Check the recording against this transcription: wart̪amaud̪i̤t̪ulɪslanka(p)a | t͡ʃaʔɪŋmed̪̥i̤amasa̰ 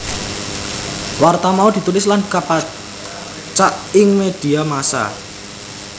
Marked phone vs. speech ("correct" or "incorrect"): correct